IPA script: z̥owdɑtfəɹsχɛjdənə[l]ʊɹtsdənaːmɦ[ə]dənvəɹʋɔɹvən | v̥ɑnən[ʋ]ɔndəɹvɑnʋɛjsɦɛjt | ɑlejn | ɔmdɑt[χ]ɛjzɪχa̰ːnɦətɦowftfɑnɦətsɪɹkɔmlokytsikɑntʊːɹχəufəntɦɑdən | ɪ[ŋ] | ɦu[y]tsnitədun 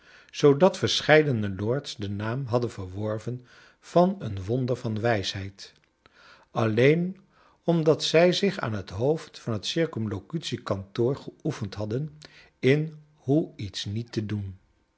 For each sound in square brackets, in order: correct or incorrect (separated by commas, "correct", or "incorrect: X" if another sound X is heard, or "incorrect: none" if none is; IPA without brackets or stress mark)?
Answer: correct, incorrect: ɑ, correct, incorrect: s, incorrect: n, incorrect: i